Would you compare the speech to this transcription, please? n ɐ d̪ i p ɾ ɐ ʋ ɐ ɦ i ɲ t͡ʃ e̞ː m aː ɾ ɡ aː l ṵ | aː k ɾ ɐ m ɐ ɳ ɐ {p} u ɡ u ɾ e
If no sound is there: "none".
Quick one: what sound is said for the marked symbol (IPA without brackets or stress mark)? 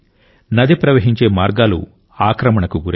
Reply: k